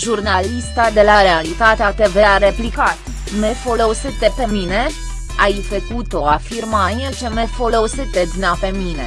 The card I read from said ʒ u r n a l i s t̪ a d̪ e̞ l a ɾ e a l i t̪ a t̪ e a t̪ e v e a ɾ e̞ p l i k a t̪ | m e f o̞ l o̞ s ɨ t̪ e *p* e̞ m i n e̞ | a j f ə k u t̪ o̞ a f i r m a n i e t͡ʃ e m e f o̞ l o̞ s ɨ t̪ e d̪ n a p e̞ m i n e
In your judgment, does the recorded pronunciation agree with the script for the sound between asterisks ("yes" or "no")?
yes